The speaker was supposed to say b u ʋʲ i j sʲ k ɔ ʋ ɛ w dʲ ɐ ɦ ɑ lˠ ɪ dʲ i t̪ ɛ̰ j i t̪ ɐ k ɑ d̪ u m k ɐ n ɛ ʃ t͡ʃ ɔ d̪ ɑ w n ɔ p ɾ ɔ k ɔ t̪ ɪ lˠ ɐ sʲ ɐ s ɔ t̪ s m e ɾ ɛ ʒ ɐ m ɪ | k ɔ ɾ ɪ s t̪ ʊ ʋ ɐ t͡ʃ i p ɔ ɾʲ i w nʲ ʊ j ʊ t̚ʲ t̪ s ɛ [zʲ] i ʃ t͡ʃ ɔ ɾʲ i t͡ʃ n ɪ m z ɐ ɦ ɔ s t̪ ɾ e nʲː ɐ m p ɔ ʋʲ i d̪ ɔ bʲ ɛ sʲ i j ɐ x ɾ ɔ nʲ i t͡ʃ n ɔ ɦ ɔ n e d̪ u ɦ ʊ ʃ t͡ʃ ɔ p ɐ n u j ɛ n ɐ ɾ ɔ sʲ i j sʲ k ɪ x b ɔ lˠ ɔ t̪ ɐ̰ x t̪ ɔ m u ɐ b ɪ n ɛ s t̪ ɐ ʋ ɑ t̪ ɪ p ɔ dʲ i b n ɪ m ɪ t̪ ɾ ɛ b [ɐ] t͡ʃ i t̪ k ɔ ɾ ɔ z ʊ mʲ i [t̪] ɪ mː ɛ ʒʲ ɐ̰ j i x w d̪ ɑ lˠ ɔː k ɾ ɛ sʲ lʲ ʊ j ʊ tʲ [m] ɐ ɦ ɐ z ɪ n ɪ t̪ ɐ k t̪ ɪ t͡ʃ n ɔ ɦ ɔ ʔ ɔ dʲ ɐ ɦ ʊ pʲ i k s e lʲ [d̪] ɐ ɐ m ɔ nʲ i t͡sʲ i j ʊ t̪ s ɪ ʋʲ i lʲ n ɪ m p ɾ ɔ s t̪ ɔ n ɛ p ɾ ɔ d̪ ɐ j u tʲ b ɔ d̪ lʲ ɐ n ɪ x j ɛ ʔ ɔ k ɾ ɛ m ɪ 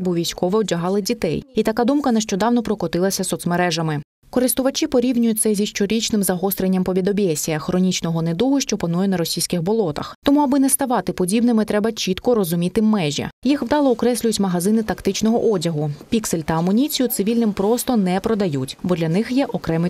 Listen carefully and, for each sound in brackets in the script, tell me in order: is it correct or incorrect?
correct, correct, correct, correct, incorrect: t̪

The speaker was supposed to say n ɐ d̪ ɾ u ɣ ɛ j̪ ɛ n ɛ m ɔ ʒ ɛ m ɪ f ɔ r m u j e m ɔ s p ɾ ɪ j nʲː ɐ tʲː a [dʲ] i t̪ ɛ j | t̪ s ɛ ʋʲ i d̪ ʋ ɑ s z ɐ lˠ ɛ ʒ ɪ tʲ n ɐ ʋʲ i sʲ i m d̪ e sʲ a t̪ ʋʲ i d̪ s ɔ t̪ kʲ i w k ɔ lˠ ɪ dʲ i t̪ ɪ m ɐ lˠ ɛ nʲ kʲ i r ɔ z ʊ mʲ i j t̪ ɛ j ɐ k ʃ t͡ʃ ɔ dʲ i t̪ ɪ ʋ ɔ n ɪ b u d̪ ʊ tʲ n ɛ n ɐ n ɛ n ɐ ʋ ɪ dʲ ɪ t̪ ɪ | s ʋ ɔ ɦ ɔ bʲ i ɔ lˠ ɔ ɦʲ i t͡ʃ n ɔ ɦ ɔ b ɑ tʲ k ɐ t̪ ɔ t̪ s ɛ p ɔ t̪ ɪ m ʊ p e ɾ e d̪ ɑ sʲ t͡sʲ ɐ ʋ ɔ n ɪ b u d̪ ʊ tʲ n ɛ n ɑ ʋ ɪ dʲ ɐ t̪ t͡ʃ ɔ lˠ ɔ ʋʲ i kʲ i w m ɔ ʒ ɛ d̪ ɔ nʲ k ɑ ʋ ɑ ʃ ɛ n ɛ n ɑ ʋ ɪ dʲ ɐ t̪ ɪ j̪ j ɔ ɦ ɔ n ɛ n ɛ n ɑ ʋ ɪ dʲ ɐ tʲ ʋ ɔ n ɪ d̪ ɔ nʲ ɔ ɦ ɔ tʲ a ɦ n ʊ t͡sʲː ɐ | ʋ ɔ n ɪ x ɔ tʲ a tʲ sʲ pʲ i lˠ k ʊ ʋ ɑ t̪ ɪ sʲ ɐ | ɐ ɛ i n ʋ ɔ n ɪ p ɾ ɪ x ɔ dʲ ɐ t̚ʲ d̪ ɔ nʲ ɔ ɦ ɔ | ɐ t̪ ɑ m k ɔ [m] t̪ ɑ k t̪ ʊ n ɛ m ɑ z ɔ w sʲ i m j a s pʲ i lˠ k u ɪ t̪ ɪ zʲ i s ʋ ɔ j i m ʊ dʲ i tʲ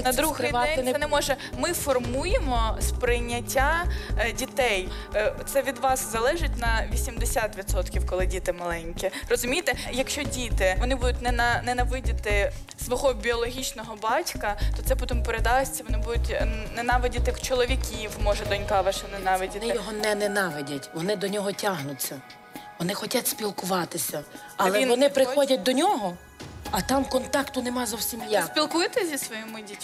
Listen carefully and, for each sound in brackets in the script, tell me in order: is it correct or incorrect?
correct, incorrect: n

